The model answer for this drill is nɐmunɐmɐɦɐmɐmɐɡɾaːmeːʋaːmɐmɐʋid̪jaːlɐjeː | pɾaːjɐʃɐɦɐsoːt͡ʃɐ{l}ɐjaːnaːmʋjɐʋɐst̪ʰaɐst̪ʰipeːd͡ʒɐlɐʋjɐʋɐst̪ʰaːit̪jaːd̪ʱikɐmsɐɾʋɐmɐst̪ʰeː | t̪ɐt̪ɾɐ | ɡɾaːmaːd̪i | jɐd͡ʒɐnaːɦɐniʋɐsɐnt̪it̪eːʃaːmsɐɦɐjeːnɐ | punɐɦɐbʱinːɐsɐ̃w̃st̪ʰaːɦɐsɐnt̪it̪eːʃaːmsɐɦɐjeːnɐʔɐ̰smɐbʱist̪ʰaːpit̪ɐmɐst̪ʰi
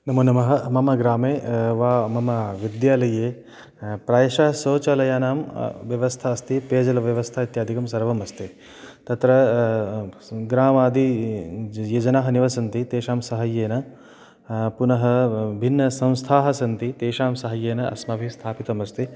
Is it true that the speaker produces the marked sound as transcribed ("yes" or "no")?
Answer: yes